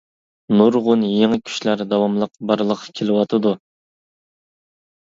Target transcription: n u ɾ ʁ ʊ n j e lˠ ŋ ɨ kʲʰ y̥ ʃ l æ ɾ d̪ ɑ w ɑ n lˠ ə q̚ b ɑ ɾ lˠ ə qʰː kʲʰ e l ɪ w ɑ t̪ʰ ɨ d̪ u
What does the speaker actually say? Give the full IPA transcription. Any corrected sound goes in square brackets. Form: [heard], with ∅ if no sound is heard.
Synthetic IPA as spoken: n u ɾ ʁ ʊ n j e [∅] ŋ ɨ kʲʰ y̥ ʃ l æ ɾ d̪ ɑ w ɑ [m] lˠ ə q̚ b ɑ ɾ lˠ ə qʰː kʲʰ e l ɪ w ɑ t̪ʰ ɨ d̪ u

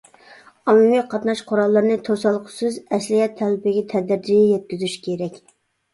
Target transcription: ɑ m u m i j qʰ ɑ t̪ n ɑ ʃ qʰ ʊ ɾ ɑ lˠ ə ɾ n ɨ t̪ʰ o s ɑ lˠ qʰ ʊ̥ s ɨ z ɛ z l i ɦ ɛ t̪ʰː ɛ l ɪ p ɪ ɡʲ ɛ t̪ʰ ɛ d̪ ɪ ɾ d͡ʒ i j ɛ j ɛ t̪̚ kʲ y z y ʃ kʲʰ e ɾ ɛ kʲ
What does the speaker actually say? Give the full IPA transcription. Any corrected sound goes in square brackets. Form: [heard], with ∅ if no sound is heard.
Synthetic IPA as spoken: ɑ m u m i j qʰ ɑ t̪ n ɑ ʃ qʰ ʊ ɾ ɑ [lˠː] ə ɾ n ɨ t̪ʰ o s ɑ lˠ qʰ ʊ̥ s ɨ z ɛ [s] l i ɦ ɛ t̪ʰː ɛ l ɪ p ɪ ɡʲ ɛ t̪ʰ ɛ d̪ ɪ ɾ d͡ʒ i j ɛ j ɛ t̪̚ kʲ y z y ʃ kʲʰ e ɾ ɛ kʲ

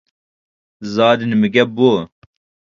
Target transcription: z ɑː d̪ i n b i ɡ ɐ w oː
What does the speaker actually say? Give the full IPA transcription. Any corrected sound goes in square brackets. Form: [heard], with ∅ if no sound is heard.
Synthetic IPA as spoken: z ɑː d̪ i n [m] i ɡ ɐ [b] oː

